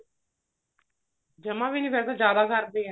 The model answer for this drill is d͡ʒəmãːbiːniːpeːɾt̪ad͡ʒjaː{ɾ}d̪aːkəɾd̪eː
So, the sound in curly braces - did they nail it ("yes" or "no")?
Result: no